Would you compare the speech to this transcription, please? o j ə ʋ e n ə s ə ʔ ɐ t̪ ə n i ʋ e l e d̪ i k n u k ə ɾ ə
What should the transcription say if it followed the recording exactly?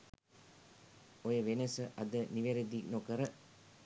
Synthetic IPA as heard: o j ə ʋ e n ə s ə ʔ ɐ d̪ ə n i ʋ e ɾ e d̪ i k n o k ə ɾ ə